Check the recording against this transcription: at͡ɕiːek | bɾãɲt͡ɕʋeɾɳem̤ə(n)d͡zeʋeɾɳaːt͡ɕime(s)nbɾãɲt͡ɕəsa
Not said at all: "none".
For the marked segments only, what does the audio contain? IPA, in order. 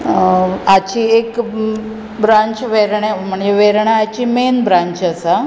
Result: ɳ, none

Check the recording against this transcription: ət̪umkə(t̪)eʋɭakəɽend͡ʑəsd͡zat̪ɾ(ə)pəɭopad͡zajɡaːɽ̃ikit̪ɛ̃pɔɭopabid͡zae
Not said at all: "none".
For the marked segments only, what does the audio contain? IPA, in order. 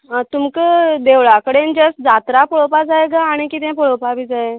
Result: d̪, a

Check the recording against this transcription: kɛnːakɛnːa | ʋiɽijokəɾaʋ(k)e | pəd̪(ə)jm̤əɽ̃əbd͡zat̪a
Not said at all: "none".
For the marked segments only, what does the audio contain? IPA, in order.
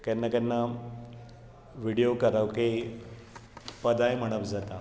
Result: k, a

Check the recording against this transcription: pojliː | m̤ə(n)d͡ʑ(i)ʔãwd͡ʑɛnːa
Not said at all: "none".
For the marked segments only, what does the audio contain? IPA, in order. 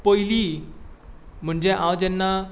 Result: ɳ, e

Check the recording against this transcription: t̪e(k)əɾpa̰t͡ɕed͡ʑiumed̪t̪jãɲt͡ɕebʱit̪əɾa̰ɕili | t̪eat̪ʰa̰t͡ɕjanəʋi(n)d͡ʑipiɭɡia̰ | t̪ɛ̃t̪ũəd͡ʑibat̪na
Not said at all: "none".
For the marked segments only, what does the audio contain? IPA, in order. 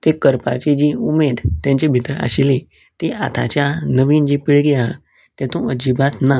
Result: k, n

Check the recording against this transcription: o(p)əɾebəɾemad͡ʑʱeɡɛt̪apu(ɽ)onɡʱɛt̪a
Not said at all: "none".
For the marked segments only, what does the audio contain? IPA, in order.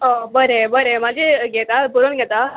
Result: b, ɾ

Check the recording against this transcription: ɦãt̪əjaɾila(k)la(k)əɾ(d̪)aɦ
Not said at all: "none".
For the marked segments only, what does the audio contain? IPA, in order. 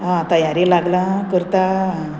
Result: ɡ, k, t̪

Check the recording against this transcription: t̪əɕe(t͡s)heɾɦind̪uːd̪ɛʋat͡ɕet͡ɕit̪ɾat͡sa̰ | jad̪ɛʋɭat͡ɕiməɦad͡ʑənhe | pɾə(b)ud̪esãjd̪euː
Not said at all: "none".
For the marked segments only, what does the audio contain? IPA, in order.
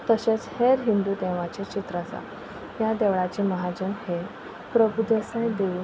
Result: t͡s, b

